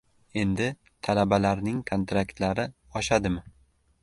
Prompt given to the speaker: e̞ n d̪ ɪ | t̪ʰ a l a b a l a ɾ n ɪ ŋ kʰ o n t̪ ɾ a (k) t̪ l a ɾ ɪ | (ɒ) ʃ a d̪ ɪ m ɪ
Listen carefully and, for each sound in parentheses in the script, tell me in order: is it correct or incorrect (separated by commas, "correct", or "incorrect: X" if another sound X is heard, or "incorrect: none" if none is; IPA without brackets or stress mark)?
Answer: correct, correct